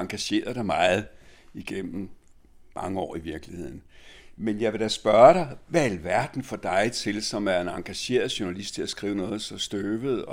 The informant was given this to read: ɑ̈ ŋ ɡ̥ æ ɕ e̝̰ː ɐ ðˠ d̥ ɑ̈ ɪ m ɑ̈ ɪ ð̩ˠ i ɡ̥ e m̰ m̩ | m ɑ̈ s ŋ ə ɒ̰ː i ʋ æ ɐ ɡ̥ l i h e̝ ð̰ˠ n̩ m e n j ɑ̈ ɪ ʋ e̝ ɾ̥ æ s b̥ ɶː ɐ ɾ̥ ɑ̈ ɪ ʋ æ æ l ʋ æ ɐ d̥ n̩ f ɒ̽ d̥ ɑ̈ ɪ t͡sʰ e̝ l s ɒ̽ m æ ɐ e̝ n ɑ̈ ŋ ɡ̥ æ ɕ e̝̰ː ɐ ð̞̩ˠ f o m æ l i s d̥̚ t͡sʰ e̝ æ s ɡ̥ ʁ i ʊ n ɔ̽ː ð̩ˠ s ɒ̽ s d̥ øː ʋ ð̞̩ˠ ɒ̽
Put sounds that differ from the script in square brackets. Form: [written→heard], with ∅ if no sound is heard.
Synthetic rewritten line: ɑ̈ ŋ ɡ̥ æ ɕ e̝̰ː ɐ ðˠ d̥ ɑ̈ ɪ m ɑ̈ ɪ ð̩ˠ i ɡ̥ e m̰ m̩ | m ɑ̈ [s→∅] ŋ ə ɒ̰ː i ʋ [æ→i] ɐ ɡ̥ l i h e̝ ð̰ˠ n̩ m e n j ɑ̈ ɪ ʋ e̝ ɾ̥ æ s b̥ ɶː ɐ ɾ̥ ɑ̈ ɪ ʋ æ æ l ʋ æ ɐ d̥ n̩ f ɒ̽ d̥ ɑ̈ ɪ t͡sʰ e̝ l s ɒ̽ m æ ɐ e̝ n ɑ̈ ŋ ɡ̥ æ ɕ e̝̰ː ɐ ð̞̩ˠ [f→ɕ] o [m→n] æ l i s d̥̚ t͡sʰ e̝ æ s ɡ̥ ʁ [i→iː] ʊ n ɔ̽ː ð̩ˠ s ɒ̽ s d̥ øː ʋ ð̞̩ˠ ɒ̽